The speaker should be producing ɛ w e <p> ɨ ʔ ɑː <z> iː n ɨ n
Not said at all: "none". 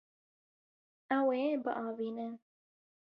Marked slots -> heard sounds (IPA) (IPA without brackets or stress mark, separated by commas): b, v